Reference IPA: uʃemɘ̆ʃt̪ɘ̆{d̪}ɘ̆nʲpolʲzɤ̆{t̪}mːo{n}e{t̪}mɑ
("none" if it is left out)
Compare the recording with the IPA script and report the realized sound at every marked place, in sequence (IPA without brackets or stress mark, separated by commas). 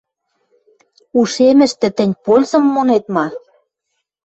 t̪, none, n, t̪